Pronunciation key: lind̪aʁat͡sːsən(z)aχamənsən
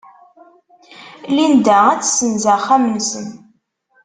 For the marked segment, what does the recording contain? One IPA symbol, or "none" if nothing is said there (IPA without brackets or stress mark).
z